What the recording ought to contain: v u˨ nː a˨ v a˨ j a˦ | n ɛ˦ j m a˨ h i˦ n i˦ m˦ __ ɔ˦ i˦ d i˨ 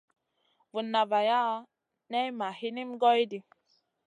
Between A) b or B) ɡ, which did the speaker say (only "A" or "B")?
B